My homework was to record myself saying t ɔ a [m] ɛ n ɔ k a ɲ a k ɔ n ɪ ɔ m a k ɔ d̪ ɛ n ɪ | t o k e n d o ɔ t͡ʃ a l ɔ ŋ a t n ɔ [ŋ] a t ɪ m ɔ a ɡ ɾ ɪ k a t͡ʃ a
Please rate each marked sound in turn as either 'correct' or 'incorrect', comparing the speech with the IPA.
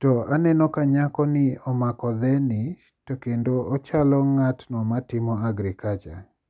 incorrect: n, incorrect: m

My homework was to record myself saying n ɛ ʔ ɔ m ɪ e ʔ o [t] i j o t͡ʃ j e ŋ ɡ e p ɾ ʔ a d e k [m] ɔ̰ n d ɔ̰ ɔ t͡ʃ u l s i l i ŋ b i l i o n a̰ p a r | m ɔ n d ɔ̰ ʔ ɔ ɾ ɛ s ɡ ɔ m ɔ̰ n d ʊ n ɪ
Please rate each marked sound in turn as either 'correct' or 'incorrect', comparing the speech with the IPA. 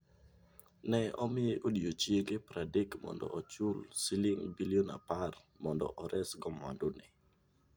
incorrect: d, correct

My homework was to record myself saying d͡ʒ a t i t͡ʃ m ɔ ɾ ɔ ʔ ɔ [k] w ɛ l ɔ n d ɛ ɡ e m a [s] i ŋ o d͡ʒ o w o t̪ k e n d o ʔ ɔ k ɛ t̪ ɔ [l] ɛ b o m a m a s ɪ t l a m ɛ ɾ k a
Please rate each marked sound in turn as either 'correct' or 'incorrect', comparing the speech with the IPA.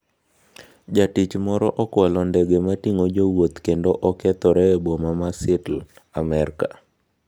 correct, incorrect: t, incorrect: ɾ

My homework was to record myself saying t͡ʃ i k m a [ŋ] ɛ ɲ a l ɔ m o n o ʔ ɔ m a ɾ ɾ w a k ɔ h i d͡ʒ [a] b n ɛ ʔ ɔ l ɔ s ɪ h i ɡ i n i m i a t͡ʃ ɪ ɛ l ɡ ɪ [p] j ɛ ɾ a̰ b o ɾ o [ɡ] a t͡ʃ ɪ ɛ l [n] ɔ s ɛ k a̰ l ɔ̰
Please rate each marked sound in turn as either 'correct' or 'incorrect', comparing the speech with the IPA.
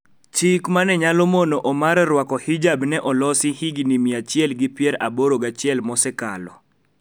incorrect: n, correct, correct, correct, incorrect: m

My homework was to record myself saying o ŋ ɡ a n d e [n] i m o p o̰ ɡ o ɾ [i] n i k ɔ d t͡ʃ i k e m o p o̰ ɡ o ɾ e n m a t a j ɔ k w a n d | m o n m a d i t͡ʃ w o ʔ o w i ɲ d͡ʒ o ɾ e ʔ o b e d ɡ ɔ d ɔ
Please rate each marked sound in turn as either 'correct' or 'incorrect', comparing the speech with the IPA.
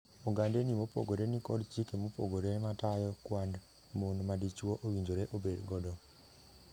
correct, incorrect: e

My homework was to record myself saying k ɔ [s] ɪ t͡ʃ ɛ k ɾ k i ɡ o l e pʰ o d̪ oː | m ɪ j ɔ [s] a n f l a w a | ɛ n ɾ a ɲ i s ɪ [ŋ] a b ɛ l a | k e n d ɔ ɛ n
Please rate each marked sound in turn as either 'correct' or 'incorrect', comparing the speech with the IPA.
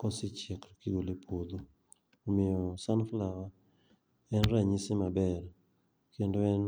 correct, correct, incorrect: m

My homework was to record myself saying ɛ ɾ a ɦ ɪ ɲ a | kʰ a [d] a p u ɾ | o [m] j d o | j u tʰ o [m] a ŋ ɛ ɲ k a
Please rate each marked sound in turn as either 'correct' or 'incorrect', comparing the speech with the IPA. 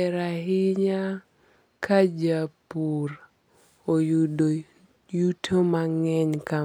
incorrect: d͡ʒ, incorrect: none, correct

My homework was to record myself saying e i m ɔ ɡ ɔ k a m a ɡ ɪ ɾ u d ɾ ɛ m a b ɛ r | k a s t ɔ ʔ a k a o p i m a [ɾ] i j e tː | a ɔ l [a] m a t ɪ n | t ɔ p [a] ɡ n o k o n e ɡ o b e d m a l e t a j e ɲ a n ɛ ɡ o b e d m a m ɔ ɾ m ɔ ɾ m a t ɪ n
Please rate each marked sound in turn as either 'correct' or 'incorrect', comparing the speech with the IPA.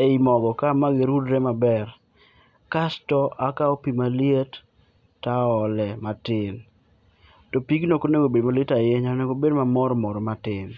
incorrect: l, incorrect: ɛ, incorrect: i

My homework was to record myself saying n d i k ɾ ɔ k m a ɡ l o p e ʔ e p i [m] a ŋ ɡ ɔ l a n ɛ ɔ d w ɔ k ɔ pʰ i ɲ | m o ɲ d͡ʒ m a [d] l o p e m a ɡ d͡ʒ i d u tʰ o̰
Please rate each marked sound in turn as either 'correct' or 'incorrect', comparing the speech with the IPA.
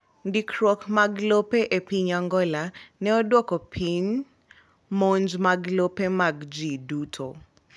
incorrect: ɲ, incorrect: ɡ

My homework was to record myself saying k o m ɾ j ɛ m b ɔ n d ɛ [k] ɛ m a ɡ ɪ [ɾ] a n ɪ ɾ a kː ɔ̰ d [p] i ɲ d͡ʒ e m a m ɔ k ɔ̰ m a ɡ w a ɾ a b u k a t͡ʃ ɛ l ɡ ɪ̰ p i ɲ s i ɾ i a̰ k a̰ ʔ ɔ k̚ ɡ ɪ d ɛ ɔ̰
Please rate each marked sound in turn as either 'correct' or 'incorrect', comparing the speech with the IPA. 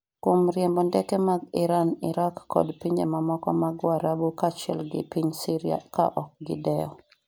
correct, correct, correct

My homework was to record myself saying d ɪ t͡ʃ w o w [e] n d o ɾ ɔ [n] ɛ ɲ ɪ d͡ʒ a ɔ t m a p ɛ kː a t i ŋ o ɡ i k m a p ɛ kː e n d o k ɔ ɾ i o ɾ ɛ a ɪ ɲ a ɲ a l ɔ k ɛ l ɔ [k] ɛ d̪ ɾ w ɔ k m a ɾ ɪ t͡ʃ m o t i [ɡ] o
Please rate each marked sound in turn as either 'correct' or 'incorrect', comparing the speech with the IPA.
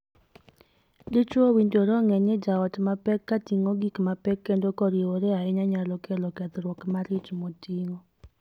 incorrect: i, incorrect: ŋ, correct, incorrect: ŋ

